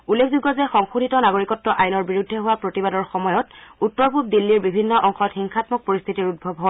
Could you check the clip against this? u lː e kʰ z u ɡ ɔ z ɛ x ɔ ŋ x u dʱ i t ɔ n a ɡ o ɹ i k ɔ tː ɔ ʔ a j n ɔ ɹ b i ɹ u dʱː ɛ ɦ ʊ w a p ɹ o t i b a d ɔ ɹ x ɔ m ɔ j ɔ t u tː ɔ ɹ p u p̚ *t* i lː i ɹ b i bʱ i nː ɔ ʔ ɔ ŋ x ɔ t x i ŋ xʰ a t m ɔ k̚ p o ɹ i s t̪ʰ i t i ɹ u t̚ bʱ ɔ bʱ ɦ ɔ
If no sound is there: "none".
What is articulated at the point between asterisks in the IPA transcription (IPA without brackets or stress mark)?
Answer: d